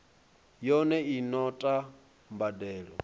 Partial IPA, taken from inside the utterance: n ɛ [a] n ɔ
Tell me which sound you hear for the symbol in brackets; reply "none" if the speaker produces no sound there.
i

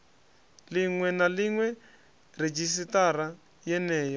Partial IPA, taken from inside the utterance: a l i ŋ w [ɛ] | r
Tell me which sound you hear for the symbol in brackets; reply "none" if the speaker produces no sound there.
ɛ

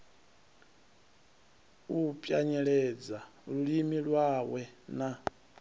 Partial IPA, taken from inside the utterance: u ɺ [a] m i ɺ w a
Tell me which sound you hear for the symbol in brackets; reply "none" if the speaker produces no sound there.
i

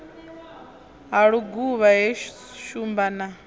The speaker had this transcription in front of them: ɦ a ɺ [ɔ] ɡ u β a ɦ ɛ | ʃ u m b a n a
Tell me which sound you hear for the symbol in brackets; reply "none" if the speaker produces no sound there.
u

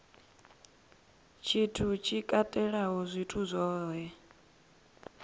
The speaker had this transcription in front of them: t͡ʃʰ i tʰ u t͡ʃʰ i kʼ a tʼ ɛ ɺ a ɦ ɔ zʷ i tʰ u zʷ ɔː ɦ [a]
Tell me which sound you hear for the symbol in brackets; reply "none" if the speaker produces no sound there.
ɛ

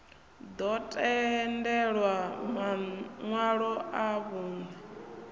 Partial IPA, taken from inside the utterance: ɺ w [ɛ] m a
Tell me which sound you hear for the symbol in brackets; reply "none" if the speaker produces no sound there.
a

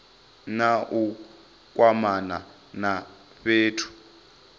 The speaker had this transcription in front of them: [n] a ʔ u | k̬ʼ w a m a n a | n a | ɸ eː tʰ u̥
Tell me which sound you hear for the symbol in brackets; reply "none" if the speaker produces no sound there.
n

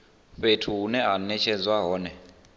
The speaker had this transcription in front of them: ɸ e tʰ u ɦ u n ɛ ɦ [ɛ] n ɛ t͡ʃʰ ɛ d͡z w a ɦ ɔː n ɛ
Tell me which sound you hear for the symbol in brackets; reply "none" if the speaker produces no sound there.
a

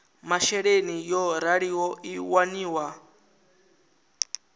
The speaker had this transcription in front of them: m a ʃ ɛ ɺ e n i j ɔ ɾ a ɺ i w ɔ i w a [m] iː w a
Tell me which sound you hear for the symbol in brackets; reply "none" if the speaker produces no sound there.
n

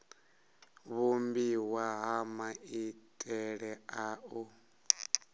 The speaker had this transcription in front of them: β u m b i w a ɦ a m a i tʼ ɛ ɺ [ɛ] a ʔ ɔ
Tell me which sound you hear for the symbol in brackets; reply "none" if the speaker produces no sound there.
ɛ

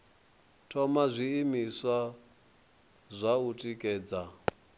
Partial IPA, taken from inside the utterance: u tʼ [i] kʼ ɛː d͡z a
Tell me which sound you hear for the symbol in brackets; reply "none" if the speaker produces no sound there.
i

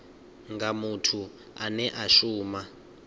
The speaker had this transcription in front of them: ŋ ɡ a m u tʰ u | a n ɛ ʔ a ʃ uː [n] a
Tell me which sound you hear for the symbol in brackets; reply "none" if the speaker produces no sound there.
m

